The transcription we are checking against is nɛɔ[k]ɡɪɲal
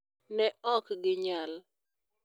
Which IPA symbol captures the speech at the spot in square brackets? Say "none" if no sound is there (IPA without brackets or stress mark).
k